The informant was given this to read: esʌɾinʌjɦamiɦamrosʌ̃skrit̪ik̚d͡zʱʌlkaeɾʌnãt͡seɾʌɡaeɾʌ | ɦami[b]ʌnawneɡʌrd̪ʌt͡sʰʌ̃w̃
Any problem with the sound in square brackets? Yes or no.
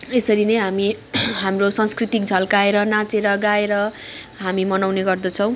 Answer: yes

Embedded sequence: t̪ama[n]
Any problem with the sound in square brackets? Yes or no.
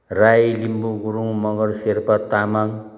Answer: yes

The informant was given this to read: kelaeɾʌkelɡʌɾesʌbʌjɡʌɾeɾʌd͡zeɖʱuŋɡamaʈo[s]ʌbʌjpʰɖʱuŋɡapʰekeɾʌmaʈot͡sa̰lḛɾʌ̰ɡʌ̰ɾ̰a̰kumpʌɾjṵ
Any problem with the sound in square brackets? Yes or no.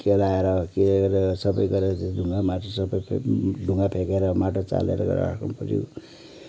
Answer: no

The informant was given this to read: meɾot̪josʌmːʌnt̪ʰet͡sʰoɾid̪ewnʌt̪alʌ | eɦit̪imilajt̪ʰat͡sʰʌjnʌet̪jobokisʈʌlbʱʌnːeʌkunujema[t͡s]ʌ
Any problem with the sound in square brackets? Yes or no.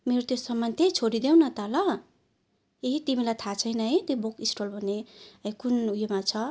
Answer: yes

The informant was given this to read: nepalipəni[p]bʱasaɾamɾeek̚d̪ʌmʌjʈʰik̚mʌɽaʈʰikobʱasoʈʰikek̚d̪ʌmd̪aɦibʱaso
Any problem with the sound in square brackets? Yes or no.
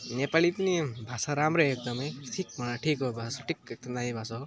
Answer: yes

